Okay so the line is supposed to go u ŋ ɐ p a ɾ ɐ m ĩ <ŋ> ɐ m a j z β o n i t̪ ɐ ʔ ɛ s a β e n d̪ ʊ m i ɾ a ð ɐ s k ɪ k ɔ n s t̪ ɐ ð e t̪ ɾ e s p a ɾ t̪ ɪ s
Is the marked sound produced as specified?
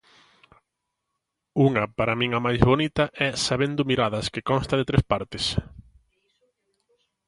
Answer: yes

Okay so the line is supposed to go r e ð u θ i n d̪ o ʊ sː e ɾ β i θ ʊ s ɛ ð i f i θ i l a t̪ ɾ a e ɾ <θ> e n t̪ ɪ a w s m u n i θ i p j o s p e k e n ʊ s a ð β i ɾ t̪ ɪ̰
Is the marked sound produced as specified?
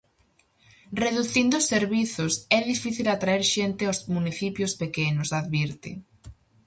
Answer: no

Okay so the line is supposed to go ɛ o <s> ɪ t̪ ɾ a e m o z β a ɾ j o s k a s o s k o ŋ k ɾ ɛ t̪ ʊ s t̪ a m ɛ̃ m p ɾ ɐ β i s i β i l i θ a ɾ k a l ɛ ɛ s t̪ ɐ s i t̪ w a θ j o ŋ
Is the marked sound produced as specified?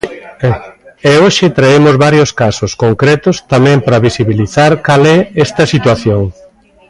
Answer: no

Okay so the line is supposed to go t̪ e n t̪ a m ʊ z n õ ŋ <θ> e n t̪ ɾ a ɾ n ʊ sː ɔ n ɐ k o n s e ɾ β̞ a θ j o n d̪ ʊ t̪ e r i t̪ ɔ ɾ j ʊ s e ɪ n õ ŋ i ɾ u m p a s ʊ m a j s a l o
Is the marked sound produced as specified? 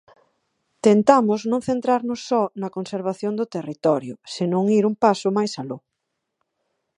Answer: yes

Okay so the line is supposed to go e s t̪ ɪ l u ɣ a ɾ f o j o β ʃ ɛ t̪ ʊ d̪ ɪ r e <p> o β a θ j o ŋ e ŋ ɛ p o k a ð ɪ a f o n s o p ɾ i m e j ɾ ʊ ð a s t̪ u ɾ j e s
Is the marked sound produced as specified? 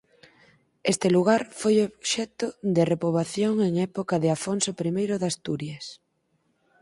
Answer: yes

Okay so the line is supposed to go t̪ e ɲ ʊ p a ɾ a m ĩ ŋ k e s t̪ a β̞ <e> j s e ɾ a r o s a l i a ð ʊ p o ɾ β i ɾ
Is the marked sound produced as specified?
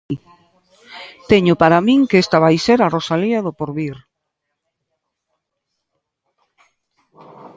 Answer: no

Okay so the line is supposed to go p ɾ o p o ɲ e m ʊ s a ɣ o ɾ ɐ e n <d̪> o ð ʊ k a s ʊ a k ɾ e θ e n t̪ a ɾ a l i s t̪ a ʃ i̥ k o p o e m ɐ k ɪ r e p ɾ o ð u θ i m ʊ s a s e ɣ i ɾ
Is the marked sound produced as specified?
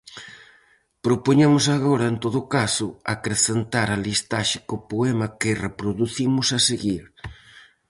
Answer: no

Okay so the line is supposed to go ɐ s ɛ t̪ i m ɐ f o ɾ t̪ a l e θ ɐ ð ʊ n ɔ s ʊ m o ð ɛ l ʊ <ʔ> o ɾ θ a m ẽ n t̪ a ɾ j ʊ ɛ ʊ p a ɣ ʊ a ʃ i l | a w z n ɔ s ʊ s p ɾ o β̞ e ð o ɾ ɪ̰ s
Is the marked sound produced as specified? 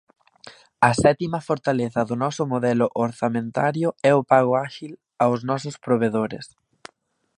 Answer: yes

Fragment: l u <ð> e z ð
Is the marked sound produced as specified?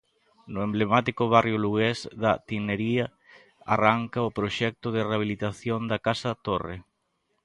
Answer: no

